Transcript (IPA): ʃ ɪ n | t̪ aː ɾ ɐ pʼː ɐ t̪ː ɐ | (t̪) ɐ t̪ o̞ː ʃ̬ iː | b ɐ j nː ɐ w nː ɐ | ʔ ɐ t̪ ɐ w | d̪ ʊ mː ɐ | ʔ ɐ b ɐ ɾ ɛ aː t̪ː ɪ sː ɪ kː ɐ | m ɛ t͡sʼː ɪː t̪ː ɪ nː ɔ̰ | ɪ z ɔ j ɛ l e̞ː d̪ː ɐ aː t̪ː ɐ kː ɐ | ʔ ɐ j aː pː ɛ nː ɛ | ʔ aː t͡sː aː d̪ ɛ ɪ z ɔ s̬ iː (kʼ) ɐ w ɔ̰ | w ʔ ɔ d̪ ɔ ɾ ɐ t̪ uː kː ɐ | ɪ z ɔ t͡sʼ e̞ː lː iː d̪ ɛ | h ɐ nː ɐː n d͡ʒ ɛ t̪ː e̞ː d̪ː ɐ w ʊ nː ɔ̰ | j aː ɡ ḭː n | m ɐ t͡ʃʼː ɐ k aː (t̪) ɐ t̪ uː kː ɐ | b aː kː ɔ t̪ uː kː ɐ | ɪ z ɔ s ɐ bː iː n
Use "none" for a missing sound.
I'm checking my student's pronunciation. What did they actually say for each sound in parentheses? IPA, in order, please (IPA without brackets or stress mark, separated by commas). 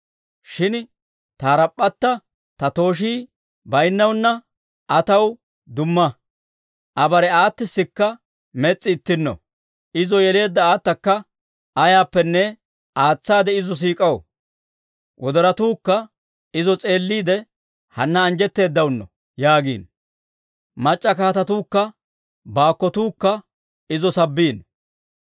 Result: t̪, kʼ, t̪